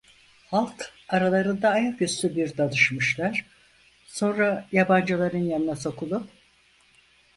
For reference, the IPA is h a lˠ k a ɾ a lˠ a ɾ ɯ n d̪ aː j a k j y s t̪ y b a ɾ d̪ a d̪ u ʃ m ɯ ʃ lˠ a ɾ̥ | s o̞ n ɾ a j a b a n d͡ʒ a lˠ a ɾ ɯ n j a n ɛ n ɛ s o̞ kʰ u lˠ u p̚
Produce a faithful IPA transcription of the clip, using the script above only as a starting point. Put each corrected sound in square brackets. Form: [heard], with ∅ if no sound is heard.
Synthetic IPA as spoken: h a lˠ k a ɾ a lˠ a ɾ ɯ n d̪ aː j a k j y s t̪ y b [i] ɾ d̪ a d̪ [ɯ] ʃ m ɯ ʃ lˠ a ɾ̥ | s o̞ n ɾ a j a b a n d͡ʒ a lˠ a ɾ ɯ n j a n [i] n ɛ s o̞ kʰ u lˠ u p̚